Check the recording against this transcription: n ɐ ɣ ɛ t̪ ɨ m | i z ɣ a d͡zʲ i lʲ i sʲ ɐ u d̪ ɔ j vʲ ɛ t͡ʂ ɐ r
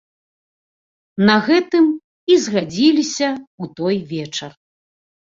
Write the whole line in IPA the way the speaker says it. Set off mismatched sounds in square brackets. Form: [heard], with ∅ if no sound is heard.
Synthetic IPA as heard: n ɐ ɣ ɛ t̪ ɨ m | i z ɣ a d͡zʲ i lʲ i sʲ ɐ u [t̪] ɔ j vʲ ɛ t͡ʂ ɐ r